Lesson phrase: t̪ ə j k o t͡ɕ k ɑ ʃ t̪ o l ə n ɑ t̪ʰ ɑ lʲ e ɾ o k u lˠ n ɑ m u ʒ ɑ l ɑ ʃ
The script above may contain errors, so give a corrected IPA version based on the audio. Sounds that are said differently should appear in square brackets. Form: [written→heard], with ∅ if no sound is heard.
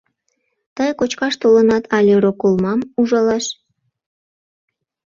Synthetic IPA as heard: t̪ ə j k o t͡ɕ k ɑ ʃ t̪ o l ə n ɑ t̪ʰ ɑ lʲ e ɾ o k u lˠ [n→m] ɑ m u ʒ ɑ l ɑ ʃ